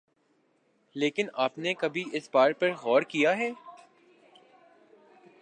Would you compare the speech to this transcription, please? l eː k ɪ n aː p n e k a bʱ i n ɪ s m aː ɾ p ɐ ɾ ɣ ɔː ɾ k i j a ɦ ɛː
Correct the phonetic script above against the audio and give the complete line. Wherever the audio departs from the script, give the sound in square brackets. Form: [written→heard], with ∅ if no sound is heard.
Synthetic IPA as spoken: l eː k ɪ n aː p n e k [a→ɐ] bʱ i [n→∅] ɪ s [m→b] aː ɾ p ɐ ɾ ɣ ɔː ɾ k i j a ɦ ɛː